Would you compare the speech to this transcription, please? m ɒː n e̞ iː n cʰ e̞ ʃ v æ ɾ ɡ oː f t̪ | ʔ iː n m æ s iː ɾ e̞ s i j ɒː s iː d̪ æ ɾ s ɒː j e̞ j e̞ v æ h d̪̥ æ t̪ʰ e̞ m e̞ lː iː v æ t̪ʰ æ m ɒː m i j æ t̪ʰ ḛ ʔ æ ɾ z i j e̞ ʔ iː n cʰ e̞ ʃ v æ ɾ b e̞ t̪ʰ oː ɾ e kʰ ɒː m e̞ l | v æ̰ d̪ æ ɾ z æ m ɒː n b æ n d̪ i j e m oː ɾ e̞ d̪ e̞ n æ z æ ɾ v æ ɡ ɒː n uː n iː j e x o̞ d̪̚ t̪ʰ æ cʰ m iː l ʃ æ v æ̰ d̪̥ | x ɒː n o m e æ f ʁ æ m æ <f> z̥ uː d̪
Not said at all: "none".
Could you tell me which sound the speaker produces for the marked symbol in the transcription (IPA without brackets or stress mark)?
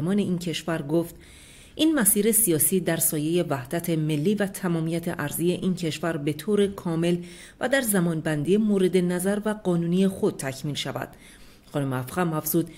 f